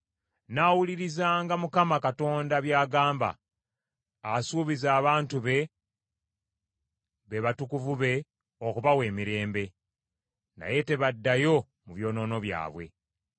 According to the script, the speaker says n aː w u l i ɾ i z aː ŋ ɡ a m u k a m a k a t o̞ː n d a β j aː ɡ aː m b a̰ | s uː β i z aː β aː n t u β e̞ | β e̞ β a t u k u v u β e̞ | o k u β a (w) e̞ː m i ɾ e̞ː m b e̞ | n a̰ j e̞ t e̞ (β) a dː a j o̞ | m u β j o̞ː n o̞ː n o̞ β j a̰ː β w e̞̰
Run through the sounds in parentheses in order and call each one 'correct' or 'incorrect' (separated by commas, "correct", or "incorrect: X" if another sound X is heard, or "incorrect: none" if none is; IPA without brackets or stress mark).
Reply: correct, correct